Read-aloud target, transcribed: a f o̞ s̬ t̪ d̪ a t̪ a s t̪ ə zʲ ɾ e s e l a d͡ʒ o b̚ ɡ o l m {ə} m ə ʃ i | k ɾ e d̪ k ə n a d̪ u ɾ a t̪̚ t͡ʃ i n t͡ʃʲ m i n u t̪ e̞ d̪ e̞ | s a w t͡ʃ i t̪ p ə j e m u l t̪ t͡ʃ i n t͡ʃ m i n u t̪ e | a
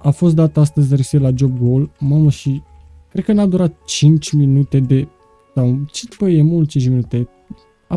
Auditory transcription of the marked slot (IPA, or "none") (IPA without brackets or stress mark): a